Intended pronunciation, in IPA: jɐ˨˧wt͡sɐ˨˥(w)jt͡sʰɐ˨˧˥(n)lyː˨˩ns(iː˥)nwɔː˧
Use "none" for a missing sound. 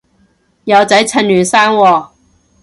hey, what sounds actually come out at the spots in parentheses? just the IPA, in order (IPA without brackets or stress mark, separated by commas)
none, n, aː˥